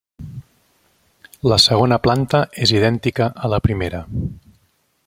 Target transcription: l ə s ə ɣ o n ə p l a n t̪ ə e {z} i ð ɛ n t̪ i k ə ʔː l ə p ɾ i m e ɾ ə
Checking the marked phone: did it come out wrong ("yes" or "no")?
no